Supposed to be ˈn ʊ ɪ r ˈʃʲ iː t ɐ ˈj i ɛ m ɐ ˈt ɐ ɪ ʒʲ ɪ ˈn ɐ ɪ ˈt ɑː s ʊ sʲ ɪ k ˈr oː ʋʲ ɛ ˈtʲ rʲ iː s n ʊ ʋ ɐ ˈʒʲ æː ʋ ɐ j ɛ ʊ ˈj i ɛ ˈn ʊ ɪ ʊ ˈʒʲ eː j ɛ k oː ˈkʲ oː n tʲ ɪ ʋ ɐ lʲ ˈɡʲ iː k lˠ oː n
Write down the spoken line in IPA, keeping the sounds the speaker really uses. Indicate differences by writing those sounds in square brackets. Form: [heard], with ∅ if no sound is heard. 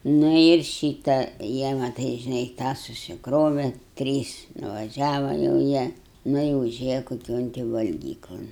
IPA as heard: ˈn ʊ ɪ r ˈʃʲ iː t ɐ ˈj i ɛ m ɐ ˈt ɐ ɪ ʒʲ ɪ ˈn ɐ ɪ ˈt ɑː s ʊ sʲ ɪ k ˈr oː ʋʲ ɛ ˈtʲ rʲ iː s n ʊ ʋ ɐ ˈʒʲ æː ʋ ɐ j ɛ ʊ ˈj i ɛ ˈn ʊ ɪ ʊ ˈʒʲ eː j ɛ k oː ˈkʲ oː n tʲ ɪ ʋ ɐ lʲ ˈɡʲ iː k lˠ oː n